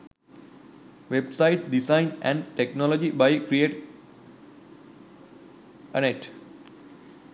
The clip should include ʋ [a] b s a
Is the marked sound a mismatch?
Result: yes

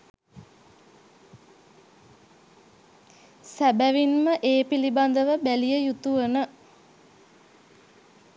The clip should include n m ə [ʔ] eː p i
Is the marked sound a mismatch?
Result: no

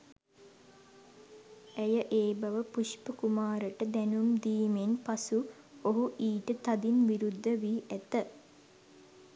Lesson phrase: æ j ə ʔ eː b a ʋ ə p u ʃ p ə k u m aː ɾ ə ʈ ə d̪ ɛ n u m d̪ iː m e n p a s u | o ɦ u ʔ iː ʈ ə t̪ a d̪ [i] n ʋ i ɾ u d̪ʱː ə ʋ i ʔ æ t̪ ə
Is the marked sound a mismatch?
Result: no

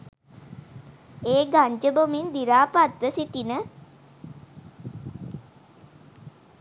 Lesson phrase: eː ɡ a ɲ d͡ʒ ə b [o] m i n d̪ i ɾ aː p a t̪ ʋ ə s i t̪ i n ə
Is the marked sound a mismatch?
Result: no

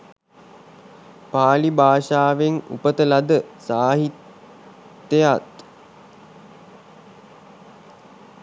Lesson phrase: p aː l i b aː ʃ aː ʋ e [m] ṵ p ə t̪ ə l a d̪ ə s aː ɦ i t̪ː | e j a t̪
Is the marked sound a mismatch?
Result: yes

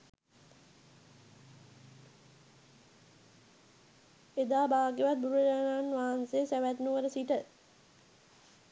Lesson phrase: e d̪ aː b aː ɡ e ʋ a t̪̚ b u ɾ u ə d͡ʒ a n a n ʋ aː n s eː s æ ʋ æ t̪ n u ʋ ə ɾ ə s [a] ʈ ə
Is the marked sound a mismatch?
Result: yes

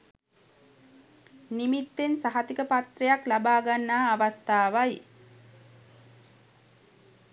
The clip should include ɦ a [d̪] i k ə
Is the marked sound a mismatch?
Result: yes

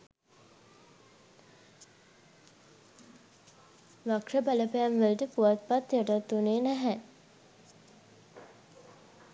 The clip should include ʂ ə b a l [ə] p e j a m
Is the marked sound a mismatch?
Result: no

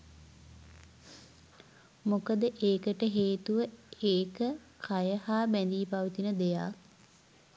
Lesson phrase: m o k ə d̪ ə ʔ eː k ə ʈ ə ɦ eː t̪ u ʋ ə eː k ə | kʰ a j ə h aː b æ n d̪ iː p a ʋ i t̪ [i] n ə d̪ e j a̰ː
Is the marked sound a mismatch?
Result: no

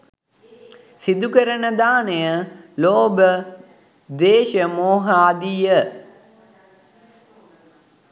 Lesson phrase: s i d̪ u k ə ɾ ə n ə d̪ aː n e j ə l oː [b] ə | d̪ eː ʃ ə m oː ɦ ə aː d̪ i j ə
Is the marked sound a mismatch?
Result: no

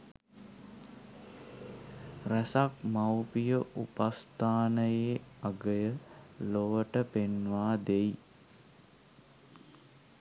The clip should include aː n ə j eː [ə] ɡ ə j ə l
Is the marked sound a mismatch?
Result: yes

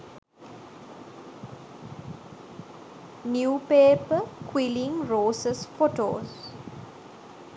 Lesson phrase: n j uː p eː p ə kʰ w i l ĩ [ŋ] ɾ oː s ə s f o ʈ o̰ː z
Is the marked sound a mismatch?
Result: no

